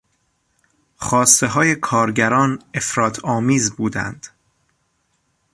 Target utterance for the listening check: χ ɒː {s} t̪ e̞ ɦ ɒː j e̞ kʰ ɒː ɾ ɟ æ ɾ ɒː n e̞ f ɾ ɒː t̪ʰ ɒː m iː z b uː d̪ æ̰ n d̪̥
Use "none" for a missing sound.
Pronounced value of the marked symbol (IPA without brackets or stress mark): s